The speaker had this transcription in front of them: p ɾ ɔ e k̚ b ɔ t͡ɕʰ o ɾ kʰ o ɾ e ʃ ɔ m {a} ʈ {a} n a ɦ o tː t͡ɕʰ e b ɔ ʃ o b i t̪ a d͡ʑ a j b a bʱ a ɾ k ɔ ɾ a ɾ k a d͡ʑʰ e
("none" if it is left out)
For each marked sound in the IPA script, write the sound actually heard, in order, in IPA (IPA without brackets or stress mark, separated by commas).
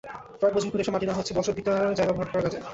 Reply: a, i